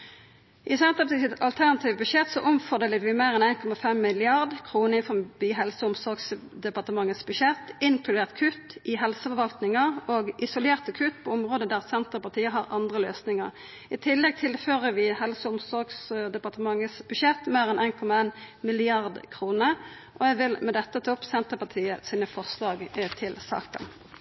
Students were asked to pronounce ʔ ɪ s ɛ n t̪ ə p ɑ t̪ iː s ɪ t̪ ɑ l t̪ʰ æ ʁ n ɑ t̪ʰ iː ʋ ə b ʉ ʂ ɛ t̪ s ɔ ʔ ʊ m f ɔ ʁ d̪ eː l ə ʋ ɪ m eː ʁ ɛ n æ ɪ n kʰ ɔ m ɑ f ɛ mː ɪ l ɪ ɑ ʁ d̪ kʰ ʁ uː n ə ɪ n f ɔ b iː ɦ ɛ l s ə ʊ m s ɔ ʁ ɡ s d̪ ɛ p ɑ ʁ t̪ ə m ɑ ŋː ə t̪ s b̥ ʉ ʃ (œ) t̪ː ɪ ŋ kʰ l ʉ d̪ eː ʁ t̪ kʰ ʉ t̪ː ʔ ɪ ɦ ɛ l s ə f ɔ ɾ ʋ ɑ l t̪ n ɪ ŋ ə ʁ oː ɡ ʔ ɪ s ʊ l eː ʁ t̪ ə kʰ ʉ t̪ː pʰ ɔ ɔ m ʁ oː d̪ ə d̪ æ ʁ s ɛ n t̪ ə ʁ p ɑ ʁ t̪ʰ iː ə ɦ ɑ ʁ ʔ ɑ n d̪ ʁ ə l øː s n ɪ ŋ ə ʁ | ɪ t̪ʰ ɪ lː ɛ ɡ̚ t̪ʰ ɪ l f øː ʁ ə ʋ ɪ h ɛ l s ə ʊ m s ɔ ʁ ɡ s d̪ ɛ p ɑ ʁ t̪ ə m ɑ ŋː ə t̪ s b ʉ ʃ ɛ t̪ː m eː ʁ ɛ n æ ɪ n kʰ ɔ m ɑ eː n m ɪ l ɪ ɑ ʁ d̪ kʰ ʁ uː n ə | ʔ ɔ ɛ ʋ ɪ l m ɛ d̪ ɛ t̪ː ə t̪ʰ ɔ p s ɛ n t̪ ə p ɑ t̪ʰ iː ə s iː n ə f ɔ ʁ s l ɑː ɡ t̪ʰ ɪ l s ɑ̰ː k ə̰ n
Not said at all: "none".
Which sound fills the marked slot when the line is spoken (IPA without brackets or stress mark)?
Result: ɛ